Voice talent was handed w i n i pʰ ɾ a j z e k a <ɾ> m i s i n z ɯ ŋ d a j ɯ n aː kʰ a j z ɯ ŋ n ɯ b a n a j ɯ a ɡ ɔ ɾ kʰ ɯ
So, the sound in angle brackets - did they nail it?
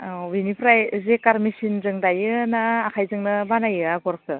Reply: yes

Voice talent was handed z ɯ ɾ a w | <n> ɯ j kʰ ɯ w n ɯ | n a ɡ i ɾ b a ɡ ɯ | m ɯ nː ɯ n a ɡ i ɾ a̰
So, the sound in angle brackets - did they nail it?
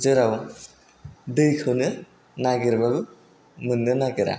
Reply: no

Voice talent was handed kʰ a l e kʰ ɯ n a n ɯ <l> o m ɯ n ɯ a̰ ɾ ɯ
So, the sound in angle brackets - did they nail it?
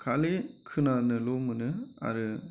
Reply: yes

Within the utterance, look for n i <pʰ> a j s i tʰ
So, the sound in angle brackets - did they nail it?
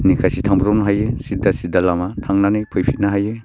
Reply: no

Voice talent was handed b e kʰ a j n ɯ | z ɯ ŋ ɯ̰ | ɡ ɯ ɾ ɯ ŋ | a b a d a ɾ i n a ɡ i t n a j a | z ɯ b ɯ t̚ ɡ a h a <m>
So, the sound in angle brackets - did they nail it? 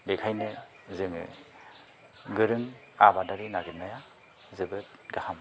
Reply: yes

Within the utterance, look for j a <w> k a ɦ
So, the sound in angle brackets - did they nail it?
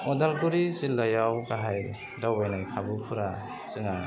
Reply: yes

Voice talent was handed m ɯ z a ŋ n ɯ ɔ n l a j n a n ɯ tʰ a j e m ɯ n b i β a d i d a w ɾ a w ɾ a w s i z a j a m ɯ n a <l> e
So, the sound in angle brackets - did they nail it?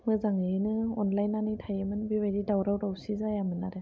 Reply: no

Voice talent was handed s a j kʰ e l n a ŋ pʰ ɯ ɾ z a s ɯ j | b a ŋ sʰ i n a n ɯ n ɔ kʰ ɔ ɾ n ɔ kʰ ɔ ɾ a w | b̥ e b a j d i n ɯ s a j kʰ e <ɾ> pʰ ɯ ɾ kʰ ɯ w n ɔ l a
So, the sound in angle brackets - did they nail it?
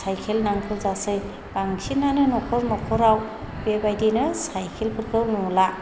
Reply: no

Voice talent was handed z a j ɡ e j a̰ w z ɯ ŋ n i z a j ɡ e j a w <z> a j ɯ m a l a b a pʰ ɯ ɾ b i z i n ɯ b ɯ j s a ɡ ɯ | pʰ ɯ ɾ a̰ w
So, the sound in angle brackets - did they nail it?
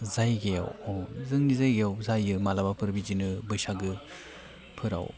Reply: yes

